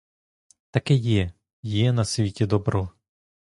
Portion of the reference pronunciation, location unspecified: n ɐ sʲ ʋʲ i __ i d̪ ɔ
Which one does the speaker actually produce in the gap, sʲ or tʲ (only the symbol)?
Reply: tʲ